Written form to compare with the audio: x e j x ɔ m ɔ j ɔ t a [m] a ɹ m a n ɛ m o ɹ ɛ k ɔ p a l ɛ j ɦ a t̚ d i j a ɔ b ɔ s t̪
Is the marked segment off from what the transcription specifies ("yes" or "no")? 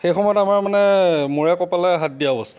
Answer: no